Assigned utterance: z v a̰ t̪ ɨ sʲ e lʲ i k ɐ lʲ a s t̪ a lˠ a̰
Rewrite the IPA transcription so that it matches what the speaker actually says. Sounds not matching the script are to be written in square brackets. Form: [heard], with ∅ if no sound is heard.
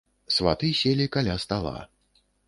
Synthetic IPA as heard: [s] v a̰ t̪ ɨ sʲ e lʲ i k [a] lʲ a s t̪ a lˠ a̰